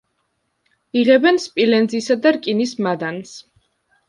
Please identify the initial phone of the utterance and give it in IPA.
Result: i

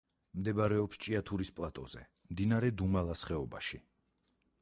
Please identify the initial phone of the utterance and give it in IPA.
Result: m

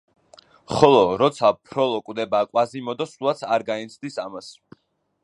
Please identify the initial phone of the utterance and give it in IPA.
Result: χ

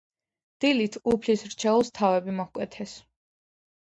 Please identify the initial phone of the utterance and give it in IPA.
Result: d̪̥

